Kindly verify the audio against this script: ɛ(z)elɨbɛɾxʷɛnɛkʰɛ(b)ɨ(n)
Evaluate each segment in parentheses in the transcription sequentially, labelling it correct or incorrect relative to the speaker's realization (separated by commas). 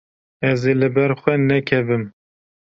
correct, incorrect, incorrect